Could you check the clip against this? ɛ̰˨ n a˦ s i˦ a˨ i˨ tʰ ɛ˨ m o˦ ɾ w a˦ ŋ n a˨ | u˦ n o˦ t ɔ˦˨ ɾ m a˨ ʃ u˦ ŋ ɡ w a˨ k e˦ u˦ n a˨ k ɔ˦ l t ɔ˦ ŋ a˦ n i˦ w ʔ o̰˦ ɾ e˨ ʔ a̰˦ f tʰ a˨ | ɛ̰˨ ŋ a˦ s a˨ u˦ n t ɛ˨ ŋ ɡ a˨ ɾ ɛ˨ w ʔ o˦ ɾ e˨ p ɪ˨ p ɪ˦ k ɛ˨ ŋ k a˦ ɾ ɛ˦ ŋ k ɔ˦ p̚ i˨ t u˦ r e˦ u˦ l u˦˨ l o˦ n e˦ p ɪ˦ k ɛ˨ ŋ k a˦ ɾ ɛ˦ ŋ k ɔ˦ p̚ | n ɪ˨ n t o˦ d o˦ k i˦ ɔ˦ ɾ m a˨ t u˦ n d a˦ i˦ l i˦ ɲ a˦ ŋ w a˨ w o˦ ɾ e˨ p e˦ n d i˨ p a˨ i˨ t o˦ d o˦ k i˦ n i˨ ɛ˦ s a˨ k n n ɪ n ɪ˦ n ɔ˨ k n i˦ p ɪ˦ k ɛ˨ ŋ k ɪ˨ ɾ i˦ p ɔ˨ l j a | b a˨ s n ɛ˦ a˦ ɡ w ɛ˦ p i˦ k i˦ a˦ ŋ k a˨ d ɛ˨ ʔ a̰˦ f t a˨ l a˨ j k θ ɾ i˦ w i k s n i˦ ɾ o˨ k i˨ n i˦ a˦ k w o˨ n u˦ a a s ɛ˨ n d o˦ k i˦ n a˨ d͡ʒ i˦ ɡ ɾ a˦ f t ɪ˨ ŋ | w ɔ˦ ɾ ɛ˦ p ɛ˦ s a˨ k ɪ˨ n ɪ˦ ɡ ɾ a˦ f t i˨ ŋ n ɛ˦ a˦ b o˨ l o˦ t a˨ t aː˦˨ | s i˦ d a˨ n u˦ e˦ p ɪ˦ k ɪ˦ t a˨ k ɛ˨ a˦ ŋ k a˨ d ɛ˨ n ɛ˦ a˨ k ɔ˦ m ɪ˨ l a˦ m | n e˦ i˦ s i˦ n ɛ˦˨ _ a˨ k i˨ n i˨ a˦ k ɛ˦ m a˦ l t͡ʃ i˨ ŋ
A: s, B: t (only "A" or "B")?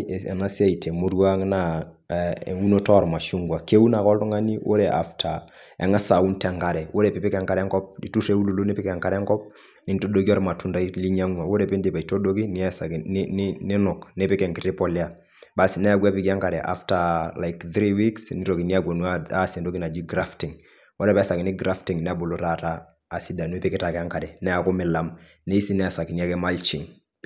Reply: A